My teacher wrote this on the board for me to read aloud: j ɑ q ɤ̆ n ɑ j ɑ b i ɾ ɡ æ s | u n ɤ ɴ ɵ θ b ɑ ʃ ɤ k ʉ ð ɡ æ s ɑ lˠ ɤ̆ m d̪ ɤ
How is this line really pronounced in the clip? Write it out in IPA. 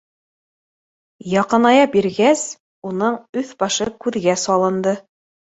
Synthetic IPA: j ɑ q ɤ̆ n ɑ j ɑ b i ɾ ɡ æ s | u n ɤ ɴ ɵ θ b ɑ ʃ ɤ k ʉ ð ɡ æ s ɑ lˠ ɤ̆ n d̪ ɤ